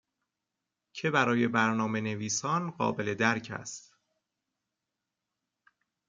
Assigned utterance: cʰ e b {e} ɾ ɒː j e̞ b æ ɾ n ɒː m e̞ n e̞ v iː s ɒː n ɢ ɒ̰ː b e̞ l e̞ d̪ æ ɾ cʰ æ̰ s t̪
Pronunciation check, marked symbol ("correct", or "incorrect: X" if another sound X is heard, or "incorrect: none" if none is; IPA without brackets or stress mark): incorrect: æ